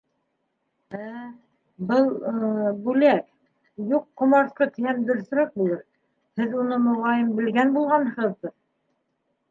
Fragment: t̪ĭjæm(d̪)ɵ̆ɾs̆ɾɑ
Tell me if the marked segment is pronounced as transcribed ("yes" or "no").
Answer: yes